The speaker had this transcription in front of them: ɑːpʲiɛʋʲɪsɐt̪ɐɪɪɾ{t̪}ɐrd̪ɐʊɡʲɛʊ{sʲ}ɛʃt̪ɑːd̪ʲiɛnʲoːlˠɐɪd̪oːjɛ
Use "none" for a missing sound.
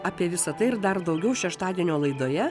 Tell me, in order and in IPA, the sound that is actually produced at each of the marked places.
d̪, ʃʲ

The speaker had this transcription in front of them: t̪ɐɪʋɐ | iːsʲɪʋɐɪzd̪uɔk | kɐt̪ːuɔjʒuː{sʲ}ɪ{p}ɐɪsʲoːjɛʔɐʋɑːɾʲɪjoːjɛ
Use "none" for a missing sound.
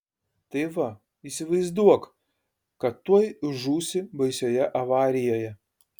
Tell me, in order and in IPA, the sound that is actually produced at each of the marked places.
sʲ, b

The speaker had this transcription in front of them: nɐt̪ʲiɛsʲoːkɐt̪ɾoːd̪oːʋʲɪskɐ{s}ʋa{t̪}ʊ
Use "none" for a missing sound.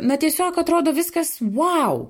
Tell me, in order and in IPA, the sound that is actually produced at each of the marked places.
s, none

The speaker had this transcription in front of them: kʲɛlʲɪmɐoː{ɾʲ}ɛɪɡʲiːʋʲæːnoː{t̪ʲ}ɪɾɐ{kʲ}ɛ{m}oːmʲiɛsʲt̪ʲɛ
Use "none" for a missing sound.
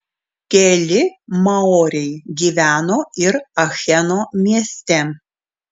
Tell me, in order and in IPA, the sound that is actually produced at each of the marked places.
ɾʲ, none, xʲ, n

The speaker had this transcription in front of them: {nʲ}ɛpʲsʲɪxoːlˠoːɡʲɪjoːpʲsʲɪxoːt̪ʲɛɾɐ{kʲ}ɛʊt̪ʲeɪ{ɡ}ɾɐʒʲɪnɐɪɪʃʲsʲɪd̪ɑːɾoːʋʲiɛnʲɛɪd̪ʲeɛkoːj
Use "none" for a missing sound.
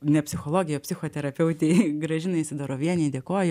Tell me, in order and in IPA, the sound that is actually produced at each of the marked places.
nʲ, pʲ, ɡ

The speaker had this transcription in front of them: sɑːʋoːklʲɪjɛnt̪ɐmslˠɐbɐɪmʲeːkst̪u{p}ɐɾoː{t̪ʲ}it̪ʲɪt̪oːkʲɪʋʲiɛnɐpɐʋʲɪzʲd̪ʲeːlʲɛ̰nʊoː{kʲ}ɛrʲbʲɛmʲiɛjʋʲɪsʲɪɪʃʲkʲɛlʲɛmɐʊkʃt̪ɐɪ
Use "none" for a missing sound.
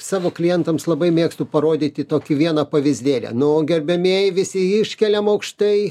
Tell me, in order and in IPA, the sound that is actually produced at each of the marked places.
p, d̪ʲ, ɡʲ

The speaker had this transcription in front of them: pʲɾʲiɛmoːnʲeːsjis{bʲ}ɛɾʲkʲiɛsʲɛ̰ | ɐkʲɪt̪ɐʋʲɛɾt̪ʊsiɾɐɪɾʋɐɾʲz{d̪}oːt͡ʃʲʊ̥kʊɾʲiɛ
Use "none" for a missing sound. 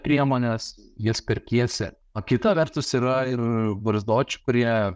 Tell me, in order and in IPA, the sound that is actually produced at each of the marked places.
pʲ, d̪

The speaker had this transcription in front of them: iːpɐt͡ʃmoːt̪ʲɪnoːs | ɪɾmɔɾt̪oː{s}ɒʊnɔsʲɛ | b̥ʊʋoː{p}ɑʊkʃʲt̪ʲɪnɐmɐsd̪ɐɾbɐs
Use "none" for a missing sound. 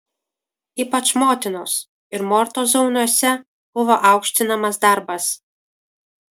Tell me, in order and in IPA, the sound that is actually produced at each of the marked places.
z, ʔ

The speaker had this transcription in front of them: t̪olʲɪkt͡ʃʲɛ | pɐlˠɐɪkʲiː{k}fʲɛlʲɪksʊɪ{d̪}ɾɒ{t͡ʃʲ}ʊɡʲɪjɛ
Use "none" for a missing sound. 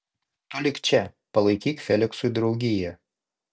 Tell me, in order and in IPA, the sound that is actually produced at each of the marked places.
k, d̪, none

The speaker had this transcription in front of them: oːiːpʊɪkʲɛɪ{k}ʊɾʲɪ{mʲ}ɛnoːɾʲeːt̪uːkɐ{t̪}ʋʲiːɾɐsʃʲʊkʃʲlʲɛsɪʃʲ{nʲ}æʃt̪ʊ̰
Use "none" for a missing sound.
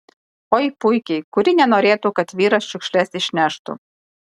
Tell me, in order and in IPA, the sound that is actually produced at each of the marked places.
k, nʲ, t̪, nʲ

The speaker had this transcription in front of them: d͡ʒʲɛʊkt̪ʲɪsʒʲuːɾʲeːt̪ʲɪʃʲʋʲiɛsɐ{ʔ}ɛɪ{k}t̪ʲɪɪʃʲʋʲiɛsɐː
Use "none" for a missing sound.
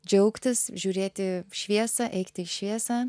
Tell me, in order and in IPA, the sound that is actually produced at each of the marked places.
ʔ, k

